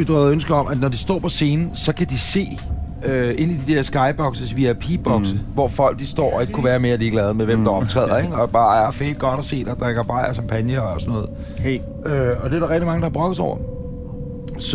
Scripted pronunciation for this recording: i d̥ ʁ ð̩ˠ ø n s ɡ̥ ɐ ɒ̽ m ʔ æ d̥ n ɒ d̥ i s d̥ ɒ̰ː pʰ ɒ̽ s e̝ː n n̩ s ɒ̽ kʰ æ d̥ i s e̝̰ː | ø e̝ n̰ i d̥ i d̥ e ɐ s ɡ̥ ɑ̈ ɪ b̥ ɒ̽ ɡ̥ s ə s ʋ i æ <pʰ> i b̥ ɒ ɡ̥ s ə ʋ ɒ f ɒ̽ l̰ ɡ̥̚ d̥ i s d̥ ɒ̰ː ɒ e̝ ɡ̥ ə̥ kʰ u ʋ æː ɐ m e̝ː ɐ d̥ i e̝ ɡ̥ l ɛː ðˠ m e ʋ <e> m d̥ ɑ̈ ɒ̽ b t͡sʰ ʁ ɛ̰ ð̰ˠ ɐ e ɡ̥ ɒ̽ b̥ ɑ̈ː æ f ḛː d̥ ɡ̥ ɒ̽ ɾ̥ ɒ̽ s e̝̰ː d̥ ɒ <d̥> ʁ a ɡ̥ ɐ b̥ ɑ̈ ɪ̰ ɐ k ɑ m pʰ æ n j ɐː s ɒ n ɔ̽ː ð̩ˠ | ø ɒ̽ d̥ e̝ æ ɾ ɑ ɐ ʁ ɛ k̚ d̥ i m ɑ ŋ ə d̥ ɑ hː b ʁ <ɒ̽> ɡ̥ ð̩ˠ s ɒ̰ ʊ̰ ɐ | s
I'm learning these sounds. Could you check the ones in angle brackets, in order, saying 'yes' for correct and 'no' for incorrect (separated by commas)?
yes, yes, yes, no